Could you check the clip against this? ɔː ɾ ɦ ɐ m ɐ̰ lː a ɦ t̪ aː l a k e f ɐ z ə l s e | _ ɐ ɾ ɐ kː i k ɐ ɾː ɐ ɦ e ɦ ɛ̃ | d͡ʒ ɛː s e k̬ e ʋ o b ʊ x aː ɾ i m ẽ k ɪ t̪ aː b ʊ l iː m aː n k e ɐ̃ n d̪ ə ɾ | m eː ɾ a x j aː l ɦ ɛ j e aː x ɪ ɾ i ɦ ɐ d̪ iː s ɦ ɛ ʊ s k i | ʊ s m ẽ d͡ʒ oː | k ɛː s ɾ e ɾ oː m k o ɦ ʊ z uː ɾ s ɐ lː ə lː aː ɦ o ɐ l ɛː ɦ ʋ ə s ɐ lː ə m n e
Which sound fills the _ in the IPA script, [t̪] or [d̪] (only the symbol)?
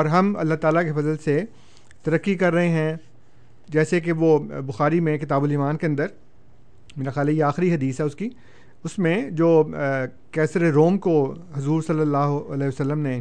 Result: t̪